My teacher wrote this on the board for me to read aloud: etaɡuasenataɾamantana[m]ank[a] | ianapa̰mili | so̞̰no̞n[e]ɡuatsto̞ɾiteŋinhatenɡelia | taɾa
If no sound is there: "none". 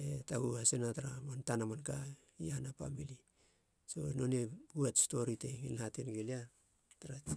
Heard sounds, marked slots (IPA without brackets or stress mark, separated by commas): m, a, e